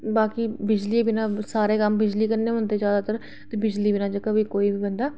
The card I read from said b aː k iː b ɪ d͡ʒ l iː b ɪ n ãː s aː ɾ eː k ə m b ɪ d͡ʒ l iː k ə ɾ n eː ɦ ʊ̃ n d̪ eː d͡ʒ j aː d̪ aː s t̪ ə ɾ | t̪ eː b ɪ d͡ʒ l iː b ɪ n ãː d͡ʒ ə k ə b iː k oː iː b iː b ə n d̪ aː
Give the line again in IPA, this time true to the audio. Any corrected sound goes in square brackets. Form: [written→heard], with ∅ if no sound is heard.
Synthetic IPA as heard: b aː k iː b ɪ d͡ʒ l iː b ɪ n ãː s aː ɾ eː k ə m b ɪ d͡ʒ l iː k ə ɾ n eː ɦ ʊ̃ n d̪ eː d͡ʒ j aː d̪ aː [s→∅] t̪ ə ɾ | t̪ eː b ɪ d͡ʒ l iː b ɪ n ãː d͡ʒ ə k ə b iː k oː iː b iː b ə n d̪ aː